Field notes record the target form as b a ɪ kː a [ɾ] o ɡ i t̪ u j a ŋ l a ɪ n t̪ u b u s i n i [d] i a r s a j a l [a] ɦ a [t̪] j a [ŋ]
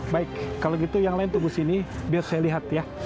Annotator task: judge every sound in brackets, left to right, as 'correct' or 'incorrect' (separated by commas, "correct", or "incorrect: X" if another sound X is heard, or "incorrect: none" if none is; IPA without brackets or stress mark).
incorrect: l, incorrect: b, incorrect: i, correct, incorrect: none